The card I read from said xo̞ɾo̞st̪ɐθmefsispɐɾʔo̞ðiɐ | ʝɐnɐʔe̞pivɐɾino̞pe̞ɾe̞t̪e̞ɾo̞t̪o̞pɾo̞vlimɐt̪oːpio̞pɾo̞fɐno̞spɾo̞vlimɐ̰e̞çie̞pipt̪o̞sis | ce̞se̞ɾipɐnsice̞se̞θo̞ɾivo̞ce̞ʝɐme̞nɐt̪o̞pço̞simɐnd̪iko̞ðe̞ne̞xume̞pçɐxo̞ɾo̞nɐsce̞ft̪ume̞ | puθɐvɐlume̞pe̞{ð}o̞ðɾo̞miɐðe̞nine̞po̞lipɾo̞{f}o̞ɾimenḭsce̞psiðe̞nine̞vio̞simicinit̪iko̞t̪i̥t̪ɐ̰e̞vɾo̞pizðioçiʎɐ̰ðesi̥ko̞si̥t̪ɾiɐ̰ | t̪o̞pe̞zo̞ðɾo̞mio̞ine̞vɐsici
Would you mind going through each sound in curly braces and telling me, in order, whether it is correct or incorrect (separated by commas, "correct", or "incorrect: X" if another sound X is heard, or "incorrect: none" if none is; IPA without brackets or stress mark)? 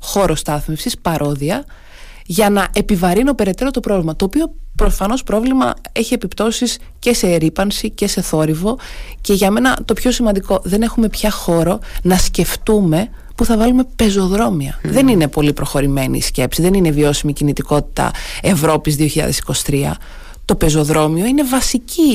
incorrect: z, incorrect: x